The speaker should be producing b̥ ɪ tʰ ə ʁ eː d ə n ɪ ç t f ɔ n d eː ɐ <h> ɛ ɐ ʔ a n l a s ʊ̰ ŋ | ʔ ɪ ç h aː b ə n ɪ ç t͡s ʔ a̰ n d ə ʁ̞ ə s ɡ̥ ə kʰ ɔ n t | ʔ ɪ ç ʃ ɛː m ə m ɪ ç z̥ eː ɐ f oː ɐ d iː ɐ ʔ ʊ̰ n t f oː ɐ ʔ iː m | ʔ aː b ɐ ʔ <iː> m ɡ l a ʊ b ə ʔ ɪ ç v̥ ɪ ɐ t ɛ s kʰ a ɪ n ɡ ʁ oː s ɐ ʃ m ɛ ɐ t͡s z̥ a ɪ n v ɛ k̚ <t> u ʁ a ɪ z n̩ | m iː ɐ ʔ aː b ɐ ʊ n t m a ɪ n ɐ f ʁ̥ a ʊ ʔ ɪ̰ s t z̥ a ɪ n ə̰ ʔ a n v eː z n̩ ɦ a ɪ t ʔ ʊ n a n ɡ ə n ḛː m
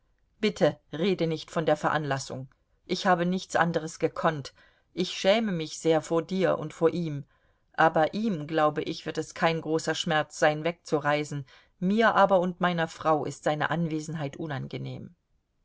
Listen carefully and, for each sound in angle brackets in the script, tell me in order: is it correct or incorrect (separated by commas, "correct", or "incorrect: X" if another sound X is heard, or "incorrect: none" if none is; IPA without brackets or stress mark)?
incorrect: f, correct, incorrect: t͡s